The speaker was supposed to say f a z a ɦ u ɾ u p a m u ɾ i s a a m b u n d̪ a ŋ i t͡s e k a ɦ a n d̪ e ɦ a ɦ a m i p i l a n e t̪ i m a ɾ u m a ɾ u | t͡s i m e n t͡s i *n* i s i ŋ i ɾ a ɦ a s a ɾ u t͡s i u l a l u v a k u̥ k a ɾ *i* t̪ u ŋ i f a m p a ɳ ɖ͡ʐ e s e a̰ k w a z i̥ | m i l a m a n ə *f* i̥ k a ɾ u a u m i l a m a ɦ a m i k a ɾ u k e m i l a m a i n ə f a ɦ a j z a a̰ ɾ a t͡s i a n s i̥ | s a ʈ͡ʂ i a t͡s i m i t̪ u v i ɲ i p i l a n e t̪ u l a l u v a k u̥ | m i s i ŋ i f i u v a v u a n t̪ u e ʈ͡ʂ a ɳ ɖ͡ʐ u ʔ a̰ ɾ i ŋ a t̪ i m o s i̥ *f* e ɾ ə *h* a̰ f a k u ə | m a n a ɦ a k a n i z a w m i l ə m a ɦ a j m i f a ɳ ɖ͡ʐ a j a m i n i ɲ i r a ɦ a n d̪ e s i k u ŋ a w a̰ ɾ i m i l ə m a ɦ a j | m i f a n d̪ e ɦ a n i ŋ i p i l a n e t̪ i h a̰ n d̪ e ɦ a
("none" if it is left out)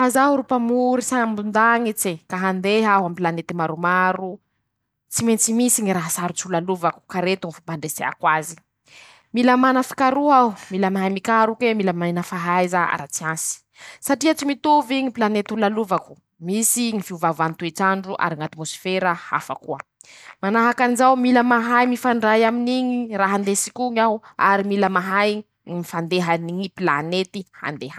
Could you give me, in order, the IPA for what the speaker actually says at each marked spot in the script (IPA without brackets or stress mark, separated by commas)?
m, e, f, f, h